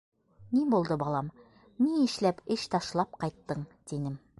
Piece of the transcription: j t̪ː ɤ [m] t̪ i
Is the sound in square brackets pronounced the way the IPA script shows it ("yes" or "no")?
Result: no